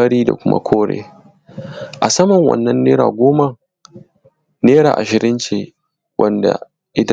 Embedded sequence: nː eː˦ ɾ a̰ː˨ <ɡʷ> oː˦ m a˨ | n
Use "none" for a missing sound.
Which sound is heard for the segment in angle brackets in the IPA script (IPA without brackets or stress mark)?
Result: ɡʷ